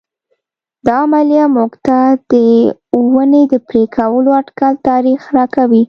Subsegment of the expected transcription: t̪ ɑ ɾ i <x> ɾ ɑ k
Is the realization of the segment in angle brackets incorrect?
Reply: no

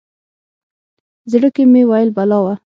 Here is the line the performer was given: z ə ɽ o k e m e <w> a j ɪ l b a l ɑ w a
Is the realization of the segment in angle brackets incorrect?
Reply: no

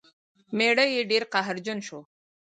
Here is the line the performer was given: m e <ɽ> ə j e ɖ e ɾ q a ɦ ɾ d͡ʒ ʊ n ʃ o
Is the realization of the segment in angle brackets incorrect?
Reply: no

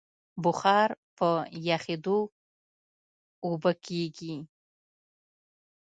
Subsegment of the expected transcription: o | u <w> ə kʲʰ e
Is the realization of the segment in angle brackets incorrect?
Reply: yes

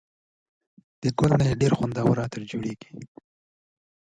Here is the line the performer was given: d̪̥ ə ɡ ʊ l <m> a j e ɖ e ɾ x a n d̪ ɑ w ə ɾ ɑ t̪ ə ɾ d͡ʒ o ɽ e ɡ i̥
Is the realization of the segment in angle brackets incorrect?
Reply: yes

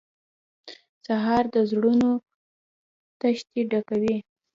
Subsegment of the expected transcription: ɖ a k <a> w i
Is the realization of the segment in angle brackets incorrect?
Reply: no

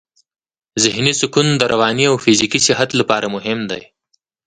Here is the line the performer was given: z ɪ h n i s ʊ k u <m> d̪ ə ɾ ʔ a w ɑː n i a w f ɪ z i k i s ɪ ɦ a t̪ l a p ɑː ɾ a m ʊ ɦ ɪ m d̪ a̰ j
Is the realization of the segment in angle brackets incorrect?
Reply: yes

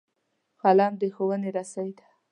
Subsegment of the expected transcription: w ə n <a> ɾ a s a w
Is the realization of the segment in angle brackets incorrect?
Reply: yes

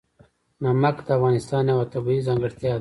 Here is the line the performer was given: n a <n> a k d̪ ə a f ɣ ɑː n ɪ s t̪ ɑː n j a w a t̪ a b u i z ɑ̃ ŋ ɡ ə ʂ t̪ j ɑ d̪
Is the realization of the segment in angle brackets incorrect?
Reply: yes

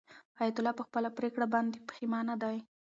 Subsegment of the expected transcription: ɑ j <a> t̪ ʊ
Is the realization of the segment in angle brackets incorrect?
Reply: no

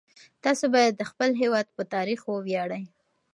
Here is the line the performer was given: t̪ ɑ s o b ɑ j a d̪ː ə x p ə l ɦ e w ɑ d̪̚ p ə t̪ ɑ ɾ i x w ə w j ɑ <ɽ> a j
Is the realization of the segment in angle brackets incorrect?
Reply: no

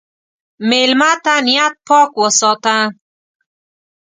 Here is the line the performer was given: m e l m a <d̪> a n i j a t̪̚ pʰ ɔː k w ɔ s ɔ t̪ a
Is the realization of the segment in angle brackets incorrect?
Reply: yes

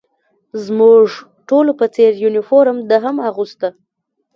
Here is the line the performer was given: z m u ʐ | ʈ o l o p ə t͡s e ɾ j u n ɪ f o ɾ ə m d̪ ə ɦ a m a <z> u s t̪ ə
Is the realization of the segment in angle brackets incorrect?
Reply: yes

